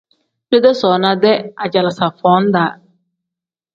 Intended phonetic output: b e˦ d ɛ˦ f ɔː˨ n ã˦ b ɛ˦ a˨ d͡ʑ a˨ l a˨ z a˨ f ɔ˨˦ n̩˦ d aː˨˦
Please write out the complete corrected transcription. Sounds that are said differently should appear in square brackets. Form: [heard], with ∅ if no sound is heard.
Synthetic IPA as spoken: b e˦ d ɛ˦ [s] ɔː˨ n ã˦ [d] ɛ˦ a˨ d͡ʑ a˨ l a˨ [s] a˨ f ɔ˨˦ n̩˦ d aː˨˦